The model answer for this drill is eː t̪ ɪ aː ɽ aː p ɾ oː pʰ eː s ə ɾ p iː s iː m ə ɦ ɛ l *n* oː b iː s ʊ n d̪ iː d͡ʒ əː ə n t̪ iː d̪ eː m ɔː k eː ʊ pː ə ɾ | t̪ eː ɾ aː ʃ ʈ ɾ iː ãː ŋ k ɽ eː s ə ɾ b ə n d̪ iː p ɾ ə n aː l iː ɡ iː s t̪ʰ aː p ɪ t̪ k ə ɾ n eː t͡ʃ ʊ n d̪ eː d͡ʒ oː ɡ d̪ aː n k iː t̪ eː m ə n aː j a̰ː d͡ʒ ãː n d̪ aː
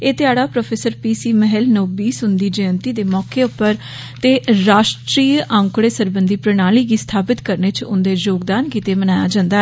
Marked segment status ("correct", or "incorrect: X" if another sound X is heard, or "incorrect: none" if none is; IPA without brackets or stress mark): correct